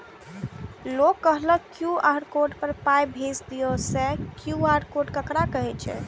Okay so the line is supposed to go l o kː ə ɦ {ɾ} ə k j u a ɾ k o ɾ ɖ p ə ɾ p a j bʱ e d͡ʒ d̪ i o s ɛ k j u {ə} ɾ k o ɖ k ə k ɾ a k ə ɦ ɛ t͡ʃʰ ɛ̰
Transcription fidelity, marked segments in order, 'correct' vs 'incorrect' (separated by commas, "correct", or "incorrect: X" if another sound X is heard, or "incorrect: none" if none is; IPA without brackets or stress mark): incorrect: l, incorrect: a